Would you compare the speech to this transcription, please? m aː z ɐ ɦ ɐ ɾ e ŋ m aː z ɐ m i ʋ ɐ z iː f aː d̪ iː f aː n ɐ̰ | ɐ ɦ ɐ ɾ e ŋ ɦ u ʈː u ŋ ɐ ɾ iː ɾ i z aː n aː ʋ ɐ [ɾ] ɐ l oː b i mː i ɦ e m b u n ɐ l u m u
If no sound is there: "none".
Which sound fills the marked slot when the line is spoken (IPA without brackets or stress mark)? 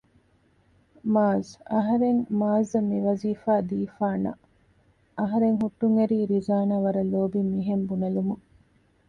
ɾ